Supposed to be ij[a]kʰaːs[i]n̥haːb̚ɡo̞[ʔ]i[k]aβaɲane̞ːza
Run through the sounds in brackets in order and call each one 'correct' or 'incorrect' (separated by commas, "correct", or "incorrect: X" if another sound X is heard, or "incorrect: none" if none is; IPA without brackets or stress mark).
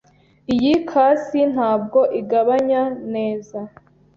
incorrect: i, correct, correct, incorrect: ɡ